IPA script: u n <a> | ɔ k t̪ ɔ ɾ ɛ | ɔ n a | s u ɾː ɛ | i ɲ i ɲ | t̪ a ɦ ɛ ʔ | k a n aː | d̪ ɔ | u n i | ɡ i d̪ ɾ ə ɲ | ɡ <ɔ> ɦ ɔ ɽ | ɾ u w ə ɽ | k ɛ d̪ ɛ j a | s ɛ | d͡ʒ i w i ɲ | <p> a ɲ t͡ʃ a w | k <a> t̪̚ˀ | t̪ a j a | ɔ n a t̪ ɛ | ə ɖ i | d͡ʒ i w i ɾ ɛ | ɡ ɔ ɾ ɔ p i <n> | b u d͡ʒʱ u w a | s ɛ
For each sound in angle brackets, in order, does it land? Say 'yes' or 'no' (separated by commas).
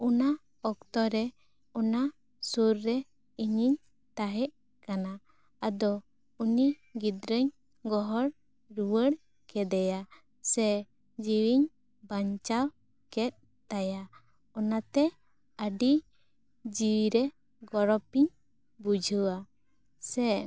yes, yes, no, no, no